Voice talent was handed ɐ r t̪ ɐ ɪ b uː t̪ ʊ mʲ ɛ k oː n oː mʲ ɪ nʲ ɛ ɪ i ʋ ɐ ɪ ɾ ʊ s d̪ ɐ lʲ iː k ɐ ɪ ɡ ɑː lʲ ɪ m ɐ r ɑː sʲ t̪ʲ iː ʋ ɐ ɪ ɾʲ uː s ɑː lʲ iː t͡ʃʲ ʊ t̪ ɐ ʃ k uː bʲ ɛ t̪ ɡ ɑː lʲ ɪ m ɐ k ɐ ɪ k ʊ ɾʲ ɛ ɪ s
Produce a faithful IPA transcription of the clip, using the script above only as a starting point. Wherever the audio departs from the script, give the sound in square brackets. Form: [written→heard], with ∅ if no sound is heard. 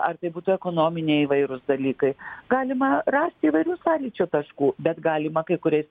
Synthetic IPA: ɐ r t̪ ɐ ɪ b uː t̪ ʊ [mʲ→∅] ɛ k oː n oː mʲ ɪ nʲ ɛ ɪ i ʋ ɐ ɪ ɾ ʊ s d̪ ɐ lʲ iː k ɐ ɪ ɡ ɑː lʲ ɪ m ɐ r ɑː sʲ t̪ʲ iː ʋ ɐ ɪ ɾʲ uː s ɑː lʲ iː t͡ʃʲ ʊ t̪ ɐ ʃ k uː bʲ ɛ t̪ ɡ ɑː lʲ ɪ m ɐ k ɐ ɪ k ʊ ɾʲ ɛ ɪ s